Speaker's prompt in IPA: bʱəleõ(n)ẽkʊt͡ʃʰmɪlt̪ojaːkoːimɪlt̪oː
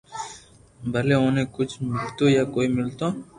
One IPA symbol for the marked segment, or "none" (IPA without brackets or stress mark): n